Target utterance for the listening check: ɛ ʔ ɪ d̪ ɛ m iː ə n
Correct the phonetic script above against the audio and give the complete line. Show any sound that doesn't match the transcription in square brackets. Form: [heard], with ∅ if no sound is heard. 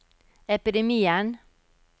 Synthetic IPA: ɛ [p] ɪ d̪ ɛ m iː ə n